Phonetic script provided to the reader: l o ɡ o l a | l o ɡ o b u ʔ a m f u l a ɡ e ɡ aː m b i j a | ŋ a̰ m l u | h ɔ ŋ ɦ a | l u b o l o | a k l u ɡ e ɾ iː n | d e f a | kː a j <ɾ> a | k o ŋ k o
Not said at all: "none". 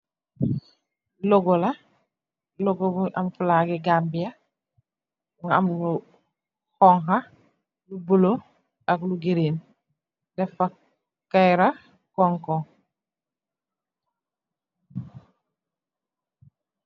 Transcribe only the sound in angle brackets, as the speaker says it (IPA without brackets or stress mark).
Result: ɾ